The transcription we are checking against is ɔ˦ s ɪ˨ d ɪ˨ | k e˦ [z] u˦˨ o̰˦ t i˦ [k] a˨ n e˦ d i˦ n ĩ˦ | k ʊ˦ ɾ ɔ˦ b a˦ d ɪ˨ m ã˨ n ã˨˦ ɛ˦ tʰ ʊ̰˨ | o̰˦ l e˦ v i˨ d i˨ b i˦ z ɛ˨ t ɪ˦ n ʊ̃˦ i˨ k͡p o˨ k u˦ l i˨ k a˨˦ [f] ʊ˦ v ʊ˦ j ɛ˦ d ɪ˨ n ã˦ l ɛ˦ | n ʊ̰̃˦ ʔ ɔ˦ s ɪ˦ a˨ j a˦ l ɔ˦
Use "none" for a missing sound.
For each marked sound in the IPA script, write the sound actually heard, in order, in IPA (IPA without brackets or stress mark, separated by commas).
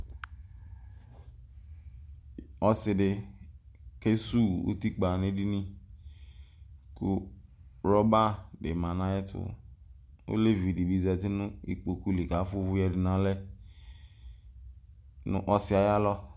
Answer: s, k͡p, f